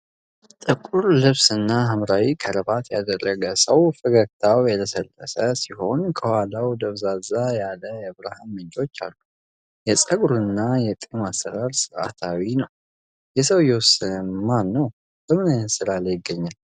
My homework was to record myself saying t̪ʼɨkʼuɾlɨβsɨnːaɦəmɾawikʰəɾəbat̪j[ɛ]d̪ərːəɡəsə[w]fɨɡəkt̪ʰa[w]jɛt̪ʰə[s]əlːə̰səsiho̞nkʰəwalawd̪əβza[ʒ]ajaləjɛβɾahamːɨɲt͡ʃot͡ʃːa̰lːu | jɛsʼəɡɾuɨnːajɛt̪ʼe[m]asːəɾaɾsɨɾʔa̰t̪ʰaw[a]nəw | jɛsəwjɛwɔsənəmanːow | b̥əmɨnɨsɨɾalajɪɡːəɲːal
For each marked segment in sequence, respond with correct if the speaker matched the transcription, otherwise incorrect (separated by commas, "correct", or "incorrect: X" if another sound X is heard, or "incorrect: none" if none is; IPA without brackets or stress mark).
incorrect: a, correct, correct, correct, incorrect: z, correct, incorrect: i